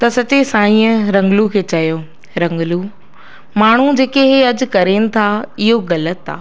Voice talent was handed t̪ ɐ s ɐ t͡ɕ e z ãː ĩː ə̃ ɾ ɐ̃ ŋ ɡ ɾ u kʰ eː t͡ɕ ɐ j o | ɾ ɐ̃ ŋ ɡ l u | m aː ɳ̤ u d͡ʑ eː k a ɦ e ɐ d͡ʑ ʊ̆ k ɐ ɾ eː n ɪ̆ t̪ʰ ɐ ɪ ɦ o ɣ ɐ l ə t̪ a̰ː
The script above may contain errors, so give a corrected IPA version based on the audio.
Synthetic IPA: t̪ ɐ s ɐ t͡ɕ e s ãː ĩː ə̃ ɾ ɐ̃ ŋ ɡ l u kʰ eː t͡ɕ ɐ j o | ɾ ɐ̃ ŋ ɡ l u | m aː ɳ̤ u d͡ʑ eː k e ɦ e ɐ d͡ʑ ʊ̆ k ɐ ɾ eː n ɪ̆ t̪ʰ a ɪ ɦ o ɣ ɐ l ə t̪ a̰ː

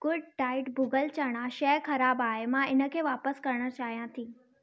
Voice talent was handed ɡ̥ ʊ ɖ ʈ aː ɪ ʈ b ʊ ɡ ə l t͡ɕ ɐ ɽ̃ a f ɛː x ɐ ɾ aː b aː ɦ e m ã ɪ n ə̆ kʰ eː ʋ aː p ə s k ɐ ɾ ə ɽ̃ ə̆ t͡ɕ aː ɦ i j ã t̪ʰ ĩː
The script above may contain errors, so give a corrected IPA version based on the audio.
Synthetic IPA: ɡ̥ ʊ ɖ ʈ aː ɪ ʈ b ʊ ɡ ə l t͡ɕ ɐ ɽ̃ a ʃ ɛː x ɐ ɾ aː b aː ɦ e m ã ɪ n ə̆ kʰ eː ʋ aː p ə s k ɐ ɾ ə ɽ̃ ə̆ t͡ɕ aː ɦ i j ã t̪ʰ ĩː

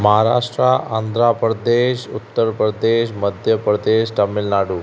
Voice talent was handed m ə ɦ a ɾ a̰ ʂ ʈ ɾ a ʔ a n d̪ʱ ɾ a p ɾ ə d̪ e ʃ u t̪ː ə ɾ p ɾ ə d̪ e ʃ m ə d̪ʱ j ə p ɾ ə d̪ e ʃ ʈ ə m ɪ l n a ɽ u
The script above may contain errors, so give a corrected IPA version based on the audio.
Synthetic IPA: m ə ɦ a ɾ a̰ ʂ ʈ ɾ a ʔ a n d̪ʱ ɾ a p ɾ ə d̪ e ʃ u t̪ː ə ɾ p ɾ ə d̪ e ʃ m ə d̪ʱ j ə p ɾ ə d̪ e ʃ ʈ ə m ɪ l n a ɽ u

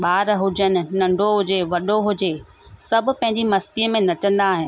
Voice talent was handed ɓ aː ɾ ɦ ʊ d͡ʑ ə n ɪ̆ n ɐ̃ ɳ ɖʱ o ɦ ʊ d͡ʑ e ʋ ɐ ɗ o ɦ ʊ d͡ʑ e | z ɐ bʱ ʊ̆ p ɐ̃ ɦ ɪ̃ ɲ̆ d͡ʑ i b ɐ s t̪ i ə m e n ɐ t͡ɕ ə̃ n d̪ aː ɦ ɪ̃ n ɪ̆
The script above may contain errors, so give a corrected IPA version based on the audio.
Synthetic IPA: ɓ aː ɾ ɦ ʊ d͡ʑ ə n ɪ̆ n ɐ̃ ɳ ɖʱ o ɦ ʊ d͡ʑ e ʋ ɐ ɗ o ɦ ʊ d͡ʑ e | s ɐ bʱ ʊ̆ p ɐ̃ ɦ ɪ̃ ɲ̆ d͡ʑ i m ɐ s t̪ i ə m ẽ n ɐ t͡ɕ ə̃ n d̪ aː ɦ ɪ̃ n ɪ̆

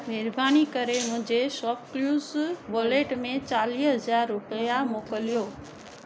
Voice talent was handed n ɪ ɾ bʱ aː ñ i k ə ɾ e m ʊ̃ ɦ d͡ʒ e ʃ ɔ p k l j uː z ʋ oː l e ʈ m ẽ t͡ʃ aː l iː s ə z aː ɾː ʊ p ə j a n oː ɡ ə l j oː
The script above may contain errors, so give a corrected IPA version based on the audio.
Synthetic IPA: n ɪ ɾ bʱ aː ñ i k ə ɾ e m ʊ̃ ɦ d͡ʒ e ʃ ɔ p k l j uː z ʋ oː l e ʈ m ẽ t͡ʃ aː l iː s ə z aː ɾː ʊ p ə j a m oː k ə l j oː

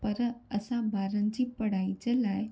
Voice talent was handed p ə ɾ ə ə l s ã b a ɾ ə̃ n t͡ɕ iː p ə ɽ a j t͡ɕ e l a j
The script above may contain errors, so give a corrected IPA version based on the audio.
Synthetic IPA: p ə ɾ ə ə s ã b a ɾ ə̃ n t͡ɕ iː p ə ɽ a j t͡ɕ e l a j

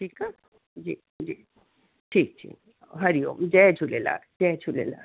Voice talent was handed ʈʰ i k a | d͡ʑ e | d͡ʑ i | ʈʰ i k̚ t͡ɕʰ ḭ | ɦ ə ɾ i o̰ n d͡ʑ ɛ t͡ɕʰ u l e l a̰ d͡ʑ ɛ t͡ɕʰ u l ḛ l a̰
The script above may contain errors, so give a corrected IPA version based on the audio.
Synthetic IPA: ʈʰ i k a | d͡ʑ i | d͡ʑ i | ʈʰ i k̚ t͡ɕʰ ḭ | ɦ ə ɾ i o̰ m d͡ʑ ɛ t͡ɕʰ u l e l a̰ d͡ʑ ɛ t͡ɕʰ u l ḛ l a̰

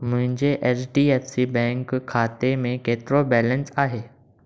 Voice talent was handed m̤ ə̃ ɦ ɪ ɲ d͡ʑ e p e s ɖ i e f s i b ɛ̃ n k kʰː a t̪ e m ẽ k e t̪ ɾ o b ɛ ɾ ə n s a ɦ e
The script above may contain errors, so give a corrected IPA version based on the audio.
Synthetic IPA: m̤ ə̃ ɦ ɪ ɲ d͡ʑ e ʔ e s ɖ i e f s i b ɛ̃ ŋ k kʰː a t̪ e m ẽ k e t̪ ɾ o b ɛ l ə n s a ɦ e

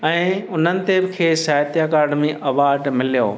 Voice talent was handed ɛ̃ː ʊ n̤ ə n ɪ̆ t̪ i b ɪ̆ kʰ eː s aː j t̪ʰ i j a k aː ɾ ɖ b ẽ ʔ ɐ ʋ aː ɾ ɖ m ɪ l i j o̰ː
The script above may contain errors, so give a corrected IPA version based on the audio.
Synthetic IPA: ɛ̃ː ʊ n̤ ə n ɪ̆ t̪ e b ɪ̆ kʰ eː s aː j t̪ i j a k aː ɾ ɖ m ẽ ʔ ɐ ʋ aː ɾ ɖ m ɪ l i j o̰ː

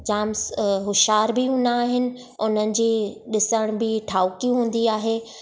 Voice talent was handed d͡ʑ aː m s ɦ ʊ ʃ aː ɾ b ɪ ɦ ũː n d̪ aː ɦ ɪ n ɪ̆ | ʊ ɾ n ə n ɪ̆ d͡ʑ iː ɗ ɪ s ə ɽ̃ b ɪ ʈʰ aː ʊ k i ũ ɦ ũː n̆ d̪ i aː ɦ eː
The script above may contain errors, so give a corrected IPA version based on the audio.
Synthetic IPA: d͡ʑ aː m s ɦ ʊ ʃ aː ɾ b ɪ ɦ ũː n d̪ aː ɦ ɪ n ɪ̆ | ʊ n ə n ɪ̆ d͡ʑ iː ɗ ɪ s ə ɽ̃ b ɪ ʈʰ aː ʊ k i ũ ɦ ũː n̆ d̪ i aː ɦ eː

